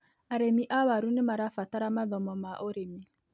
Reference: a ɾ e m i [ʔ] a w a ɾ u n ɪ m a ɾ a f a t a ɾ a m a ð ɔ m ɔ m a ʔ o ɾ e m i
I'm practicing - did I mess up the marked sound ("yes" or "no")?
no